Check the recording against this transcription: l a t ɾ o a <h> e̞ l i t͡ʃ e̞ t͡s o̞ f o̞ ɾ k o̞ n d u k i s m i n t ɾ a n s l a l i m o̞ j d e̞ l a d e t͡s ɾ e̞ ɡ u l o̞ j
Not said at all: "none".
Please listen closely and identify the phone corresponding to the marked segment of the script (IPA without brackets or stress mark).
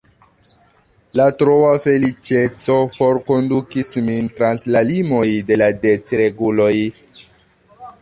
f